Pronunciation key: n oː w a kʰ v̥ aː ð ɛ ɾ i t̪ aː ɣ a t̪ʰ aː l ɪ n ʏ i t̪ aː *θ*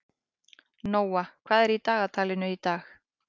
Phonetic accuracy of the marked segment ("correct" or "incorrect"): incorrect